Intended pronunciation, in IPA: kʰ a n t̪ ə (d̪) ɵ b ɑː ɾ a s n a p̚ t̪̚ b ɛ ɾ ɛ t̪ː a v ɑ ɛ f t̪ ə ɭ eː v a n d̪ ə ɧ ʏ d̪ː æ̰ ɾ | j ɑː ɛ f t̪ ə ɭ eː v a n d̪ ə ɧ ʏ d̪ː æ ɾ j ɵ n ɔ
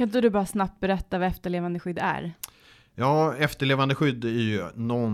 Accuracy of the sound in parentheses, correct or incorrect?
correct